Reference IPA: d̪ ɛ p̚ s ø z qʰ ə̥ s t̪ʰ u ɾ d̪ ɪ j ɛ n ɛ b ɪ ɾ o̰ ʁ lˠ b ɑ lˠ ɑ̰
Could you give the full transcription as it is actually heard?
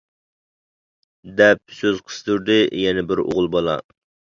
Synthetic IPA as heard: d̪ ɛ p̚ s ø z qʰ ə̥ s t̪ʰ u ɾ d̪ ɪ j ɛ n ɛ b ɪ ɾ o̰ ʁ lˠ b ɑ lˠ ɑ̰